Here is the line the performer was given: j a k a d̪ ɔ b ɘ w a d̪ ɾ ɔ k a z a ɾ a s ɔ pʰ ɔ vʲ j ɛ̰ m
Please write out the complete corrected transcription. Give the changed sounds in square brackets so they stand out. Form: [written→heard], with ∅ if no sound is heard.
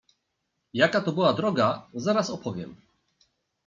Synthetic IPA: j a k a [d̪→t̪] ɔ b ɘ w a d̪ ɾ ɔ [k→ɡ] a z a ɾ a s ɔ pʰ ɔ vʲ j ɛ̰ m

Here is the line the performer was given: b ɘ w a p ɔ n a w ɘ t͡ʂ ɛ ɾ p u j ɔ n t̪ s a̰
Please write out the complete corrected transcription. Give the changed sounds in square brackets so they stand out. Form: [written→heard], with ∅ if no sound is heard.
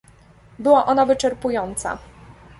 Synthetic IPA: b ɘ w a [p→ʔ] ɔ n a [w→v] ɘ t͡ʂ ɛ ɾ p u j ɔ n t̪ s a̰

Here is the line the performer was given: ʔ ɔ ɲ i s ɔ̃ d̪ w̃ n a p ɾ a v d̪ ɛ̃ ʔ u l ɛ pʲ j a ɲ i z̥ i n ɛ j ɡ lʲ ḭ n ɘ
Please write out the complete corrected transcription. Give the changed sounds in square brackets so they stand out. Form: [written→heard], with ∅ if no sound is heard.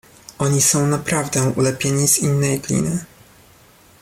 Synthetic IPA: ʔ ɔ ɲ i s ɔ̃ [d̪→∅] w̃ n a p ɾ a v d̪ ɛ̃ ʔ u l ɛ pʲ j [a→e] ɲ i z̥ i [n→nː] ɛ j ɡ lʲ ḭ n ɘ

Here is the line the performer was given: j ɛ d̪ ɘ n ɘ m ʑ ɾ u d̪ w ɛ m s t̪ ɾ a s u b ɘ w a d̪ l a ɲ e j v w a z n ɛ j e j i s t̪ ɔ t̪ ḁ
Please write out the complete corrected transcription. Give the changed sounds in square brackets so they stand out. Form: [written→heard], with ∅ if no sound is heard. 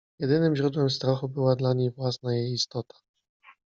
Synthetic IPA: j ɛ d̪ ɘ n ɘ m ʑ ɾ u d̪ w ɛ m s t̪ ɾ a [s→x] u b ɘ w a d̪ l a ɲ e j v w a [z→s] n [ɛ→a] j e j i s t̪ ɔ t̪ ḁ

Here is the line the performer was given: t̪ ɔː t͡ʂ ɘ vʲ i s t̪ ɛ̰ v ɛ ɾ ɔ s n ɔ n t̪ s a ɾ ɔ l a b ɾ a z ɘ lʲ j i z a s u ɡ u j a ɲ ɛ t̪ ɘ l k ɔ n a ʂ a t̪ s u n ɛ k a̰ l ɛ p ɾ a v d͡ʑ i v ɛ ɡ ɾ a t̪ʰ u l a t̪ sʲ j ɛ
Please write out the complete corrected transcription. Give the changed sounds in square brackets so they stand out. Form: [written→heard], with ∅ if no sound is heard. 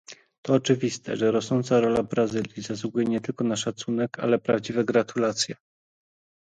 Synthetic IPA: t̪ ɔː t͡ʂ ɘ vʲ i s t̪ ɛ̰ [v→ʐ] ɛ ɾ ɔ s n ɔ n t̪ s a ɾ ɔ l a b ɾ a z ɘ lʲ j i z a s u ɡ u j [a→ɛ] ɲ ɛ t̪ ɘ l k ɔ n a ʂ a t̪ s u n ɛ k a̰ l ɛ p ɾ a v d͡ʑ i v ɛ ɡ ɾ a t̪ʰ u l a t̪ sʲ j ɛ

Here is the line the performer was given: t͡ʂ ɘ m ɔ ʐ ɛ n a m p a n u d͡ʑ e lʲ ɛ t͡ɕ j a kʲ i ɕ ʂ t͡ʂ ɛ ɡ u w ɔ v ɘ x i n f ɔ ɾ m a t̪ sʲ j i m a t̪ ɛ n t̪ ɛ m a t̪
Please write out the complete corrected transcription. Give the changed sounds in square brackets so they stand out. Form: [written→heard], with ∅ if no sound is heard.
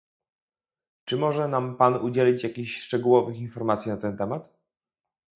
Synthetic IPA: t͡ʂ ɘ m ɔ ʐ ɛ n a m p a n u d͡ʑ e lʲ [ɛ→i] t͡ɕ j a kʲ i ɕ ʂ t͡ʂ ɛ ɡ u w ɔ v ɘ x i n f ɔ ɾ m a t̪ sʲ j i [m→n] a t̪ ɛ n t̪ ɛ m a t̪

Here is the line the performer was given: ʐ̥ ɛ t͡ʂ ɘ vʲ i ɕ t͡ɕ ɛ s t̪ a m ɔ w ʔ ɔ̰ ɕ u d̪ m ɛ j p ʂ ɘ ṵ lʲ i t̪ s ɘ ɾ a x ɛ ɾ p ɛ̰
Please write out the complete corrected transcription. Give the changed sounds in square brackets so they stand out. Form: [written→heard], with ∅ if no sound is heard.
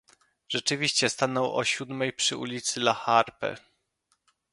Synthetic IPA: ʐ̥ ɛ t͡ʂ ɘ vʲ i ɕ t͡ɕ ɛ s t̪ a [m→n] ɔ w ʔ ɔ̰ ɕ u d̪ m ɛ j p ʂ ɘ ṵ lʲ i t̪ s ɘ [ɾ→l] a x [ɛ→a] ɾ p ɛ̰

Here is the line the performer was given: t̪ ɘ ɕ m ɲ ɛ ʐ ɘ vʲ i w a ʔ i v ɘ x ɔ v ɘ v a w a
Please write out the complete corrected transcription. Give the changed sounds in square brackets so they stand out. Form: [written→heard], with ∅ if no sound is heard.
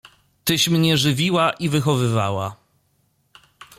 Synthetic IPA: t̪ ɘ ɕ m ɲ ɛ ʐ ɘ vʲ i w a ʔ i v ɘ x ɔ v ɘ v a w a

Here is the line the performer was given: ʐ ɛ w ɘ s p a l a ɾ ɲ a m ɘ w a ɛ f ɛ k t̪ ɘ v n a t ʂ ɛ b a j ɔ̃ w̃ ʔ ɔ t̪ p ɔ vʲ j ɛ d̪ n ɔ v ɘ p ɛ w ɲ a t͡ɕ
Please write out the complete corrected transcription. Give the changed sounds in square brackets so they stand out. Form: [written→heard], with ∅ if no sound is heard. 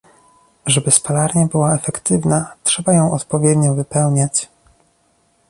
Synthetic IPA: ʐ ɛ [w→b] ɘ s p a l a ɾ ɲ a [m→b] ɘ w a ɛ f ɛ k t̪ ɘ v n a t ʂ ɛ b a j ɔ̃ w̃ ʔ ɔ t̪ p ɔ vʲ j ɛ d̪ [n→ɲ] ɔ v ɘ p ɛ w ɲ a t͡ɕ

